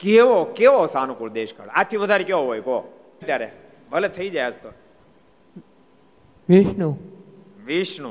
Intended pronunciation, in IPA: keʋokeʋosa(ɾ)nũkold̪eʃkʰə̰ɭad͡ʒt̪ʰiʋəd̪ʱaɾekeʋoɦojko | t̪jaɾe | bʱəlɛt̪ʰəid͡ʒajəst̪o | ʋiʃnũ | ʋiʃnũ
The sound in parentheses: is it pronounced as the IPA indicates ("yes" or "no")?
no